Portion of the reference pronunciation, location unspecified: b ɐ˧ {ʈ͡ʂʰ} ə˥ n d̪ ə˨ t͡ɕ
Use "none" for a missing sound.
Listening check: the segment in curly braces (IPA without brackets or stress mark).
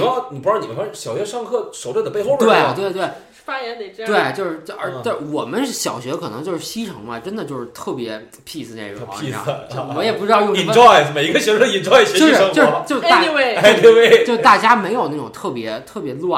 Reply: ʈ͡ʂ